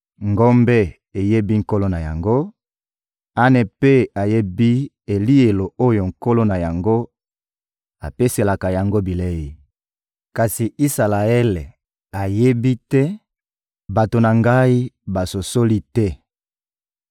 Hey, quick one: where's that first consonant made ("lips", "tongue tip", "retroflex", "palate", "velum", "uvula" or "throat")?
velum